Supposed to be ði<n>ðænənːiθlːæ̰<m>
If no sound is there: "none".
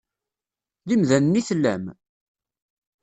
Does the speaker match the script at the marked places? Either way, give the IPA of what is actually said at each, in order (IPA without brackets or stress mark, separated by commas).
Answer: m, m